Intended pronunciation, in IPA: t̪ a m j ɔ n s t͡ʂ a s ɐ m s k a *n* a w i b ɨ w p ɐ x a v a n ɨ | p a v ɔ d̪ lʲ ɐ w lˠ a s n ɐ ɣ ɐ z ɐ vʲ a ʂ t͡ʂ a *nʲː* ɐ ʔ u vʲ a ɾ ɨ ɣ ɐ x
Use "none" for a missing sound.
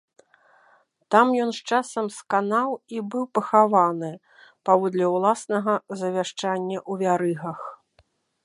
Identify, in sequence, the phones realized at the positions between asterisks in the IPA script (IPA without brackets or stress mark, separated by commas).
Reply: n, nʲː